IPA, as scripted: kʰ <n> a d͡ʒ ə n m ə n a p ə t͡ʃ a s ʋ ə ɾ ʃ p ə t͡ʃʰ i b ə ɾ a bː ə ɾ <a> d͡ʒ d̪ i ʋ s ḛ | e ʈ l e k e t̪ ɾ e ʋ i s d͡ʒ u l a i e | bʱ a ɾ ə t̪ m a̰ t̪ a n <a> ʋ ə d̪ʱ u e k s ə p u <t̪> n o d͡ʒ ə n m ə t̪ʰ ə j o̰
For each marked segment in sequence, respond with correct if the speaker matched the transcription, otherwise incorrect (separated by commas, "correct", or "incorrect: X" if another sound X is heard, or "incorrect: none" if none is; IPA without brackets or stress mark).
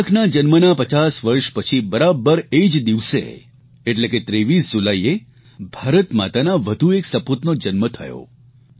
correct, incorrect: e, correct, correct